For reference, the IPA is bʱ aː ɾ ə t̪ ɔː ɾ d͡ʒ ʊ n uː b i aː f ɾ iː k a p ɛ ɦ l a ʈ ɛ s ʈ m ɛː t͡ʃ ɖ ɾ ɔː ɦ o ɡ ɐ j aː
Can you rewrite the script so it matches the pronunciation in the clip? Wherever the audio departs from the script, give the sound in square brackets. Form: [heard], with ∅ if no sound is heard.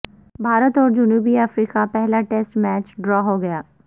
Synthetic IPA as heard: bʱ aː ɾ ə t̪ ɔː ɾ d͡ʒ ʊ n uː b i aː f ɾ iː k a p ɛ ɦ l a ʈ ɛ s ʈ m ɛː t͡ʃ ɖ ɾ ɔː ɦ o ɡ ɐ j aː